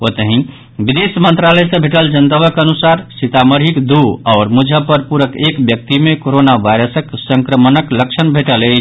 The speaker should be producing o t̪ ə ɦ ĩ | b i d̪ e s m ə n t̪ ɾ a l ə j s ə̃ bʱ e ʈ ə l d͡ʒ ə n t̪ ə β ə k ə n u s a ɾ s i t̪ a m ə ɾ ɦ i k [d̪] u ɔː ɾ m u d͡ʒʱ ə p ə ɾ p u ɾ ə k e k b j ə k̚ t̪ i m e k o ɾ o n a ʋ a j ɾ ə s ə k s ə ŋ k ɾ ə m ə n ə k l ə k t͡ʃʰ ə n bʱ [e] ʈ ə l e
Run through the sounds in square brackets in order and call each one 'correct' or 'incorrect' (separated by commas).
correct, correct